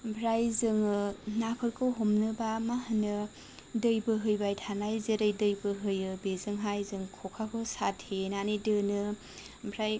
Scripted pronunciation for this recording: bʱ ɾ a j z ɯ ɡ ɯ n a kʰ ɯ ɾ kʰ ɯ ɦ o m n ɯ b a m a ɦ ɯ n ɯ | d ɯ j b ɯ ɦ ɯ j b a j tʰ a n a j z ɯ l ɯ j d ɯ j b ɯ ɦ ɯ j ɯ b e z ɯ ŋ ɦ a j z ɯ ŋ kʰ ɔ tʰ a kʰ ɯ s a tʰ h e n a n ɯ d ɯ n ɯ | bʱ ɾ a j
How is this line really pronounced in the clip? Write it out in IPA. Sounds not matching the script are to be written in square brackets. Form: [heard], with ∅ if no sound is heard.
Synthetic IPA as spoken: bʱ ɾ a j z ɯ [ŋ] ɯ n a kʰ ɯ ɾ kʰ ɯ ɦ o m n ɯ b a m a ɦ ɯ n ɯ | d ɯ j b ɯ ɦ ɯ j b a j tʰ a n a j z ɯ [ɾ] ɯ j d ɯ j b ɯ ɦ ɯ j ɯ b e z ɯ ŋ ɦ a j z ɯ ŋ kʰ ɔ [kʰ] a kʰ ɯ s a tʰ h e n a n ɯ d ɯ n ɯ | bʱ ɾ a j